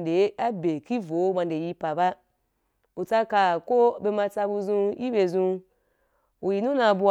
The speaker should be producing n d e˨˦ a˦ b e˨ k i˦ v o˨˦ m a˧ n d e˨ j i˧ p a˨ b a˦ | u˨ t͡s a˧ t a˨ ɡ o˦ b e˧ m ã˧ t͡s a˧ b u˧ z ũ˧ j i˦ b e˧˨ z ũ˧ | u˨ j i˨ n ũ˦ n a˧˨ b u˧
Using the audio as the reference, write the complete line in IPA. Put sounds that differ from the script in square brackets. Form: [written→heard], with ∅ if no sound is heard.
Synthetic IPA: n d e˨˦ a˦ b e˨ k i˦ v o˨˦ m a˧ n d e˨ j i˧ p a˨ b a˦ | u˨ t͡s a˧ [t→k] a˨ [ɡ→k] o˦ b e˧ m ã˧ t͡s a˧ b u˧ z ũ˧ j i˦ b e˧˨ z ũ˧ | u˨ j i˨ n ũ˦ n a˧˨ b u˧